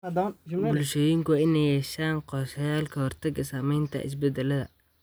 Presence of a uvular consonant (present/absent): present